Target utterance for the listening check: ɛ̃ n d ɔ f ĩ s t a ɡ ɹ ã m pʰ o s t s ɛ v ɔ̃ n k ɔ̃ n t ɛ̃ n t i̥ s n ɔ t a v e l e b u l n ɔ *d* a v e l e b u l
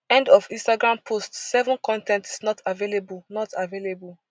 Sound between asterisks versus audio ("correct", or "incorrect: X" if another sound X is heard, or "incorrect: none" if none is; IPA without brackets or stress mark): incorrect: t